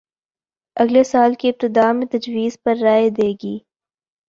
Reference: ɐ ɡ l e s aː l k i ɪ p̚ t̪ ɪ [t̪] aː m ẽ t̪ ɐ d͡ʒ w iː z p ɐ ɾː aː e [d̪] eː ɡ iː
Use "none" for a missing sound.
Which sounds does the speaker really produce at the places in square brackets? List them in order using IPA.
d̪, d̪

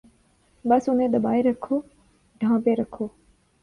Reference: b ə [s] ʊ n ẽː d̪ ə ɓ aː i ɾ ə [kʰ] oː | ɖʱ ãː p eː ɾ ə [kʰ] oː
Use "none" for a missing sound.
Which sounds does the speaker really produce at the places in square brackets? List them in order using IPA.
s, kʰ, kʰ

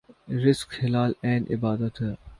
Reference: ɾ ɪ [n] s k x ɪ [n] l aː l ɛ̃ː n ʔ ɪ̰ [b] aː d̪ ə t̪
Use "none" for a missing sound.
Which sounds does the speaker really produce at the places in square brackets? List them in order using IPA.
none, none, b

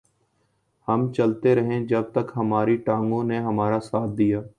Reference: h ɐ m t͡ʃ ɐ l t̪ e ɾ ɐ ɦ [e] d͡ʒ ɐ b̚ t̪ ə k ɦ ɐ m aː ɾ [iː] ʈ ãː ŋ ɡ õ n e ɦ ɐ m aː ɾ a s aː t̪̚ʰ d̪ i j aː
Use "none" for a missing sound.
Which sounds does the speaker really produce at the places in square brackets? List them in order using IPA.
ẽ, i

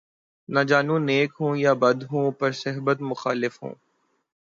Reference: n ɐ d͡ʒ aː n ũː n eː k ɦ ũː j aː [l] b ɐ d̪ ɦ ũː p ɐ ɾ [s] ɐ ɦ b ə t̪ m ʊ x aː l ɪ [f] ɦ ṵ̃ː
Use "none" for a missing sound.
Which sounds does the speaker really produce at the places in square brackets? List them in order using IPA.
none, s, f

